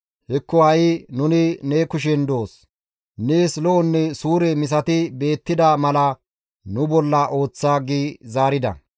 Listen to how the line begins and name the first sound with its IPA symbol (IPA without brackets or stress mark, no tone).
h